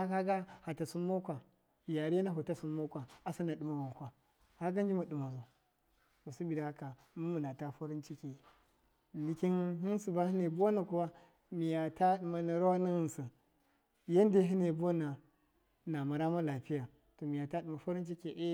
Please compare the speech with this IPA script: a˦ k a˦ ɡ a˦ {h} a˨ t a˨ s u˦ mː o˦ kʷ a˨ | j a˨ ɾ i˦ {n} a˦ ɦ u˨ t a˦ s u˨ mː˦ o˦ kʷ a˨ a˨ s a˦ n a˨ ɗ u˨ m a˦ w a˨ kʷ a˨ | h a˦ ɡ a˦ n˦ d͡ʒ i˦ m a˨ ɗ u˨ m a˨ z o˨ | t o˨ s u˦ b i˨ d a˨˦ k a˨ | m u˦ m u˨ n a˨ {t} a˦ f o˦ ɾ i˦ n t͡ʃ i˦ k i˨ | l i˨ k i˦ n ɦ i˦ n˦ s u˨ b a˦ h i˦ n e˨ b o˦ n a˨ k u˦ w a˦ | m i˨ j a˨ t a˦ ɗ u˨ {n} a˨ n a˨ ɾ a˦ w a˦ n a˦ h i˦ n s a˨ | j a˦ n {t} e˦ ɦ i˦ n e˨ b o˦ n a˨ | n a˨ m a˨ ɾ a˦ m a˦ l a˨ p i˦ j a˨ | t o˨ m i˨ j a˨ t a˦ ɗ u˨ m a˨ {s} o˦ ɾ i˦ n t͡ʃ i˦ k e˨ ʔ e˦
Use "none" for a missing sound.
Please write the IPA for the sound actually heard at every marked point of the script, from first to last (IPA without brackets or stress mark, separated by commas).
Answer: h, n, t, m, d, f